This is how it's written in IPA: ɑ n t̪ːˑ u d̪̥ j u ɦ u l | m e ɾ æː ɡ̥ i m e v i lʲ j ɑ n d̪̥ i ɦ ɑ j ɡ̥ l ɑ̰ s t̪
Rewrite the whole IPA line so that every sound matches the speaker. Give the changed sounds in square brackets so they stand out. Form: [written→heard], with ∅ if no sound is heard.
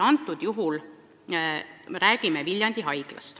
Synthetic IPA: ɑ n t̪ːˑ u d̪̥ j u ɦ u l | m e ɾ æː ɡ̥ i m e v i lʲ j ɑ n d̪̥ i ɦ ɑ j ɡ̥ l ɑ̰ s t̪